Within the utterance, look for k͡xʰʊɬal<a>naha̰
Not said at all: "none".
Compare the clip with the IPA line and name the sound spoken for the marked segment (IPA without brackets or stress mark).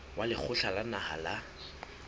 a